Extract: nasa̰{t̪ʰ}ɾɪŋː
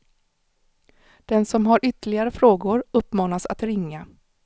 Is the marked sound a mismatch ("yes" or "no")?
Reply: yes